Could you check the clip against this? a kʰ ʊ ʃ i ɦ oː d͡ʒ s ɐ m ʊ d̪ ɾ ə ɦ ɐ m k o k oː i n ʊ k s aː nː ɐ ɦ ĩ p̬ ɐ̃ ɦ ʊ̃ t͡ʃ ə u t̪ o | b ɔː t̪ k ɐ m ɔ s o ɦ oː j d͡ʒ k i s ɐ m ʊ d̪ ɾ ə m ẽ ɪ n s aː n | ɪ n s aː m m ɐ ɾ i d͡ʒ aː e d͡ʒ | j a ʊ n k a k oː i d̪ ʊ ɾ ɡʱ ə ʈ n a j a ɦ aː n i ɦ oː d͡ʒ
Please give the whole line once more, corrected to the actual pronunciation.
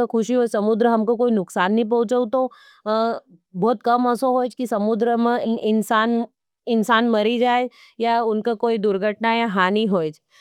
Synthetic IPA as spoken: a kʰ ʊ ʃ i ɦ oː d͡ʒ s ɐ m ʊ d̪ ɾ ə ɦ ɐ m k o k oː i n ʊ k s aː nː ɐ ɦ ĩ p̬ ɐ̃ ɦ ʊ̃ t͡ʃ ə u t̪ o | b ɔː t̪ k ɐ m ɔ s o ɦ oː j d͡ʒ k i s ɐ m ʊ d̪ ɾ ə m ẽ ɪ n s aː n | ɪ n s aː n m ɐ ɾ i d͡ʒ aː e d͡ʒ | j a ʊ n k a k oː i d̪ ʊ ɾ ɡʱ ə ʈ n a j a ɦ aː n i ɦ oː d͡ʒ